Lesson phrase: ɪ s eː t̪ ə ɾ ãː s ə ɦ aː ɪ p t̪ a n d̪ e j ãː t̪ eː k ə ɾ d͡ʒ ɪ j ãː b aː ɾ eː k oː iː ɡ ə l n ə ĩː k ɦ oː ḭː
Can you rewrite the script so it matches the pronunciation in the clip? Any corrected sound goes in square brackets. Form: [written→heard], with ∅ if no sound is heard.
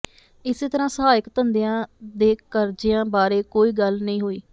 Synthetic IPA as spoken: ɪ s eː t̪ ə ɾ ãː s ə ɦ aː ɪ [p→k] t̪ [a→ə] n d̪ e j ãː [t̪→d̪] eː k ə ɾ d͡ʒ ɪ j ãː b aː ɾ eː k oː iː ɡ ə l n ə ĩː [k→∅] ɦ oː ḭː